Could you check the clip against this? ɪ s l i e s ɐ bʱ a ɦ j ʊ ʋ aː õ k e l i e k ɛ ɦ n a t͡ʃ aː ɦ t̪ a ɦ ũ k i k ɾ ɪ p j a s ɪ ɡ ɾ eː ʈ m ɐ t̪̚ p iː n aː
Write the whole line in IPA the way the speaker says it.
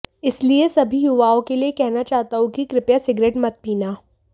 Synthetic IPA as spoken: ɪ s l i e s ɐ bʱ i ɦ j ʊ ʋ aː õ k e l i e k ɛ ɦ n a t͡ʃ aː ɦ t̪ a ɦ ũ k i k ɾ ɪ p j a s ɪ ɡ ɾ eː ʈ m ɐ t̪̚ p iː n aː